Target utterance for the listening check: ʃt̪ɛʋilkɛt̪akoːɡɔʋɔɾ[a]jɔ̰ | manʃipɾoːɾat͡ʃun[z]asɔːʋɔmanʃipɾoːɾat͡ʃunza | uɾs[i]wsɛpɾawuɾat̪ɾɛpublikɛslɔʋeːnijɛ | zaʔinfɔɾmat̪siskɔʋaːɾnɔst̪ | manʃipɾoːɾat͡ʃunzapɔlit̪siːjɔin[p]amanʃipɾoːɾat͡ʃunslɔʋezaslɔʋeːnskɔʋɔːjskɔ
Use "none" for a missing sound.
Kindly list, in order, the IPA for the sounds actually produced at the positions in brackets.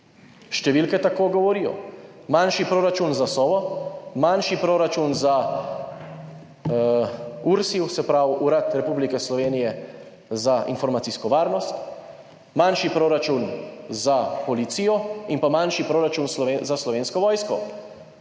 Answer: i, z, i, p

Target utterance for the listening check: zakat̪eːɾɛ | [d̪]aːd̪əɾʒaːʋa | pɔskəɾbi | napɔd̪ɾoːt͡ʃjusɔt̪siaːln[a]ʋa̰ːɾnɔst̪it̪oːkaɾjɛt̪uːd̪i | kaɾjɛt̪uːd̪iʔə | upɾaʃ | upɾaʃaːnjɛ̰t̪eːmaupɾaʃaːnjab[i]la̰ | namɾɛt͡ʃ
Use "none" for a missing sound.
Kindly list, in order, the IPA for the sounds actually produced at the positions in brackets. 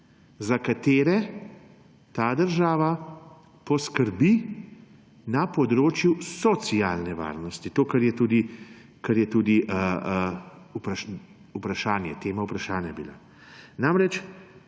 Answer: t̪, ɛ, i

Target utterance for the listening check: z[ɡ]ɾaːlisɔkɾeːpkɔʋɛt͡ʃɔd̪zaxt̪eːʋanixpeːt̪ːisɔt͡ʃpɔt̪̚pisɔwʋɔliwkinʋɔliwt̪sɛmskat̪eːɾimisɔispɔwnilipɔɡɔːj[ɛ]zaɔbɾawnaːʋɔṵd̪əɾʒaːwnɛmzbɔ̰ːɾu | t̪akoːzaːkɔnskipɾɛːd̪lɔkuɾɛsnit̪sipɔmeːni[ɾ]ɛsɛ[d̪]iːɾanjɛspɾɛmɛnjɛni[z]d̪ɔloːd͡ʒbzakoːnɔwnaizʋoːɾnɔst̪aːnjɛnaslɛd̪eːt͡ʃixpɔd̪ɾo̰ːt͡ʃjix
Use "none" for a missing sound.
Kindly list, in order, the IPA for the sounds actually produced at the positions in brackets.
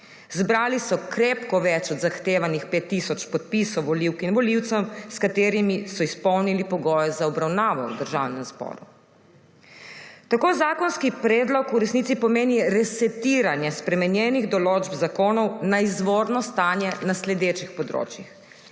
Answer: b, ɛ, ɾ, t̪, ɣ

